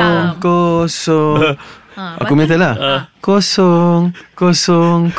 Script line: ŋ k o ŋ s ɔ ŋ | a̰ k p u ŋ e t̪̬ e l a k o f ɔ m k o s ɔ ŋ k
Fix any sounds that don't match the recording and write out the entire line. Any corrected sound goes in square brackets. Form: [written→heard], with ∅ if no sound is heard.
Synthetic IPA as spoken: ŋ k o [ŋ→∅] s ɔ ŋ | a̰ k [p→k] u [ŋ→m] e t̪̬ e l a k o [f→s] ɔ [m→ŋ] k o s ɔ ŋ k